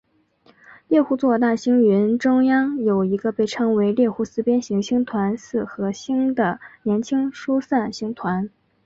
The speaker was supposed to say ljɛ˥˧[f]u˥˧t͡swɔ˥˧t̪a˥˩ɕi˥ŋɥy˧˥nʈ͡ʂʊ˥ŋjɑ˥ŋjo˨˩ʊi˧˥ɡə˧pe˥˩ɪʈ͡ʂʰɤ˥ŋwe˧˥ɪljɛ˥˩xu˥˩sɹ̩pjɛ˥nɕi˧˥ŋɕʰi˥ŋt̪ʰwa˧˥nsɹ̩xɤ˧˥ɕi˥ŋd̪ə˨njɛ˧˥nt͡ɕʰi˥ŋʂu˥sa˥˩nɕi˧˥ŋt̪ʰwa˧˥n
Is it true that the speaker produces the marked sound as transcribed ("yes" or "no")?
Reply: no